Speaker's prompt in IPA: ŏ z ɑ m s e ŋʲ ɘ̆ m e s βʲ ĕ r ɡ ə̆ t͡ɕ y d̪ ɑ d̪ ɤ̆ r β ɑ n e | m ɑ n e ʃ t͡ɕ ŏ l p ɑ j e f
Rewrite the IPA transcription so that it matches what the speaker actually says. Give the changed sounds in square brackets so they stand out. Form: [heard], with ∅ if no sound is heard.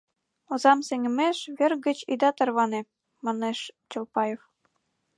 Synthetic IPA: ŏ z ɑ m s e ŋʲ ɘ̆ m e [ʃ] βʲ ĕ r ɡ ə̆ t͡ɕ [i] d̪ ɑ [t̪] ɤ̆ r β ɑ n e | m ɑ n e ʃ t͡ɕ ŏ l p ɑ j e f